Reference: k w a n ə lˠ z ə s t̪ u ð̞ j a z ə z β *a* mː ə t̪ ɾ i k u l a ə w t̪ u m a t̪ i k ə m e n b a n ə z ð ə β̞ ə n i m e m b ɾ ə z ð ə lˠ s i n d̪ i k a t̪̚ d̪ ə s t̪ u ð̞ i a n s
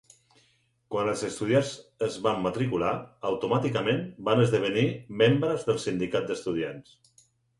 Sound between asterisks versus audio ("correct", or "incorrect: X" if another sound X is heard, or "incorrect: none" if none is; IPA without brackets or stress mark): correct